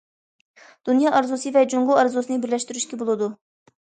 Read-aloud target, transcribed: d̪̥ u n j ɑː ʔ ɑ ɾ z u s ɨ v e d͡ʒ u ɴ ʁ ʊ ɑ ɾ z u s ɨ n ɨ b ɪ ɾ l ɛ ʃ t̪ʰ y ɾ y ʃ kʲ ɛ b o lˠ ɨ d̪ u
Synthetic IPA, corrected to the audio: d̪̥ u n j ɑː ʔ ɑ ɾ z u s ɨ v ɛ d͡ʒ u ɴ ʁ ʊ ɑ ɾ z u s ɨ n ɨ b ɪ ɾ l ɛ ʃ t̪ y ɾ y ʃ kʲ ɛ b o lˠ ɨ d̪ u